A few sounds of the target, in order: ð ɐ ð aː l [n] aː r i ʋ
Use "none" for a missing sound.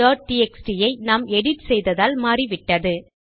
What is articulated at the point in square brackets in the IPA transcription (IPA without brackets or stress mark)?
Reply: m